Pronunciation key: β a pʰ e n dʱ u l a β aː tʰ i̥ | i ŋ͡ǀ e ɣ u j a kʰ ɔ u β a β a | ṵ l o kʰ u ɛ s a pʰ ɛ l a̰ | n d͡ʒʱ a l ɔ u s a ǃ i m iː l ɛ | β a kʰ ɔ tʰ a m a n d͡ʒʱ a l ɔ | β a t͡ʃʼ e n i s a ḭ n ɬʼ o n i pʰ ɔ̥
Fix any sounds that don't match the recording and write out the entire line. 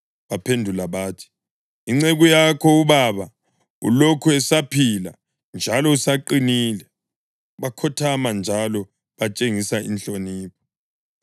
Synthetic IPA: β a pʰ e n dʱ u l a β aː tʰ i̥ | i ŋ͡ǀ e ɣ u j a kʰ ɔ u β a β a | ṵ l o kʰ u ɛ s a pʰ i l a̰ | n d͡ʒʱ a l ɔ u s a ǃ i n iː l ɛ | β a kʰ ɔ tʰ a m a n d͡ʒʱ a l ɔ | β a t͡ʃʼ e ŋ i s a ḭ n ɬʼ o n iː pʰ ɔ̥